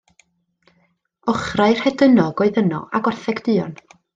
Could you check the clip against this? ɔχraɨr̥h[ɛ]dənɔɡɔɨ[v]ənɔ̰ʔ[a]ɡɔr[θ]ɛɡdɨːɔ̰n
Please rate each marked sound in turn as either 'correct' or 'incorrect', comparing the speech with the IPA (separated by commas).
correct, incorrect, correct, correct